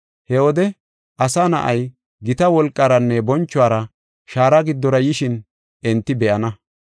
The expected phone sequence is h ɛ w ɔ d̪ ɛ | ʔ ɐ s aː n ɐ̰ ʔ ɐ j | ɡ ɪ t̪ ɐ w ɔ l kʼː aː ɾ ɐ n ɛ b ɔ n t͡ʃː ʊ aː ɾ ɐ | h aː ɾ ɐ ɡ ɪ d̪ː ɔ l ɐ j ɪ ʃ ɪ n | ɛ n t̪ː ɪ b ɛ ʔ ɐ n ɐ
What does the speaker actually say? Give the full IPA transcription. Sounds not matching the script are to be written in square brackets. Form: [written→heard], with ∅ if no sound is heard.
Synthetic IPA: h ɛ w ɔ d̪ ɛ | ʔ ɐ s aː n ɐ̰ ʔ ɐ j | ɡ ɪ t̪ ɐ w ɔ l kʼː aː ɾ ɐ [n→nː] ɛ b ɔ n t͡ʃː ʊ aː ɾ ɐ | [h→ʃ] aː ɾ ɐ ɡ ɪ d̪ː ɔ [l→ɾ] ɐ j ɪ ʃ ɪ n | ɛ n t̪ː ɪ b ɛ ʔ ɐ n ɐ